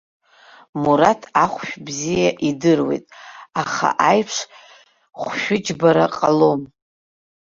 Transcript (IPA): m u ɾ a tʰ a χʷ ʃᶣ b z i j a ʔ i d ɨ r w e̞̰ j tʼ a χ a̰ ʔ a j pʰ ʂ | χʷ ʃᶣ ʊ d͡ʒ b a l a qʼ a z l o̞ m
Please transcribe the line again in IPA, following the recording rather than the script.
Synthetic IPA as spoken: m u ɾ a tʰ a χʷ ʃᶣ b z i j a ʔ i d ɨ r w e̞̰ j tʼ a χ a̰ ʔ a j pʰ ʂ | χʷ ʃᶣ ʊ d͡ʒ b a ɾ a qʼ a l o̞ m